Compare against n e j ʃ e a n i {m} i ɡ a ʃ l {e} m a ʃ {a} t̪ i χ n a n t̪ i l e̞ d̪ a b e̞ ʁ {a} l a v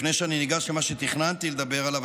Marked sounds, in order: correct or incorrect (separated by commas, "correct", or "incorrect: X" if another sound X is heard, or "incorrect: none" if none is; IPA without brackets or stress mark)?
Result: incorrect: n, correct, incorrect: e, correct